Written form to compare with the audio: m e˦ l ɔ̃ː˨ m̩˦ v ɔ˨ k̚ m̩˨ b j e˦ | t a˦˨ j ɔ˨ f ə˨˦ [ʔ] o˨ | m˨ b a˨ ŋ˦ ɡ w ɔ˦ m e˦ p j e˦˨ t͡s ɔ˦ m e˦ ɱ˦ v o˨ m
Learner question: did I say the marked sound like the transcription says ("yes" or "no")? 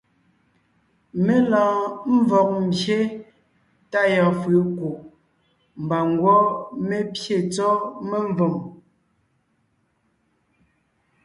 no